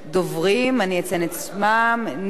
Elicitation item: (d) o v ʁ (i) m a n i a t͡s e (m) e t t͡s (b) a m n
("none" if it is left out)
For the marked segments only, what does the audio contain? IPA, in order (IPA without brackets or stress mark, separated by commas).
d, i, n, m